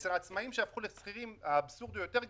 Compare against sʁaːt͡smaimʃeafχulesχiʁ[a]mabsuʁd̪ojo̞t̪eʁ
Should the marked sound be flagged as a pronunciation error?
yes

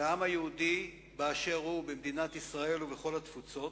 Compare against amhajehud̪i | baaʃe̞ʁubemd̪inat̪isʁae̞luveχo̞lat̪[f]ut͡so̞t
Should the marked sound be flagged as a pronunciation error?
no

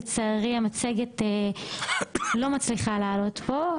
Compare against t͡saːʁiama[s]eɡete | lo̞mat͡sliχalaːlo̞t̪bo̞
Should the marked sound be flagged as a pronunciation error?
yes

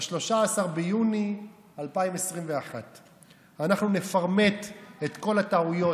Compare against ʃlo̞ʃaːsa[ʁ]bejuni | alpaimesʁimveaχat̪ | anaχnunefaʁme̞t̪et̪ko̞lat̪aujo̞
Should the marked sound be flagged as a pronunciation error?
no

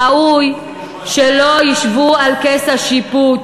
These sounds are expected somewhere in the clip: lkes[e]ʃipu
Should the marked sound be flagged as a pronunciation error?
yes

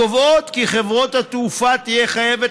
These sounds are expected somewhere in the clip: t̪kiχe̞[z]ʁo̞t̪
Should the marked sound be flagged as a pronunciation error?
yes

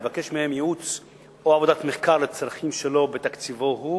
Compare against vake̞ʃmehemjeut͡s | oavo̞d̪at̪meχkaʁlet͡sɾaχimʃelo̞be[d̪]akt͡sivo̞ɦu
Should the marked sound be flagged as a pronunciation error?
yes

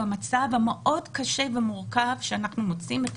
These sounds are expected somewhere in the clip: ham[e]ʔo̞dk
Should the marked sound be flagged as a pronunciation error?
no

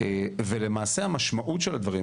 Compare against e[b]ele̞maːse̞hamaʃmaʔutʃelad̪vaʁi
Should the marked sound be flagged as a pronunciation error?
yes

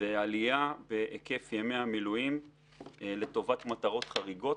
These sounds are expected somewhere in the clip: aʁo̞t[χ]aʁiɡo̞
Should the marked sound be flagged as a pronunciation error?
no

